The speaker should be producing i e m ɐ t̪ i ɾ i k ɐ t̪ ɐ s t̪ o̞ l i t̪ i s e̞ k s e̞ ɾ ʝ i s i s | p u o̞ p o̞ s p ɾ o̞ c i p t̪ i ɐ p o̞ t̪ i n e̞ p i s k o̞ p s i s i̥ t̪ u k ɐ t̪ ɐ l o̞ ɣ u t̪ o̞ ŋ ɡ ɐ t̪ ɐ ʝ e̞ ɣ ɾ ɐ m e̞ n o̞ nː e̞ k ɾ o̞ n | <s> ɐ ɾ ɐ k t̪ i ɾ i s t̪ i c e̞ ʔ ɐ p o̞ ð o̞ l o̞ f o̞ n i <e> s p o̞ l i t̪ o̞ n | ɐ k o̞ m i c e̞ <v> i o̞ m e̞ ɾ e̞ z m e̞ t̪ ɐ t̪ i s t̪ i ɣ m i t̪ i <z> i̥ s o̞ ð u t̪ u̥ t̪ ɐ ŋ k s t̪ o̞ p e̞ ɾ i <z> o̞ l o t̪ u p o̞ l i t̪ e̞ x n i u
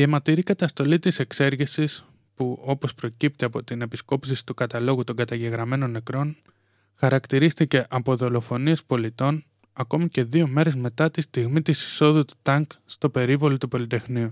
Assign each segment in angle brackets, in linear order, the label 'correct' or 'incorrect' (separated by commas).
incorrect, correct, incorrect, incorrect, incorrect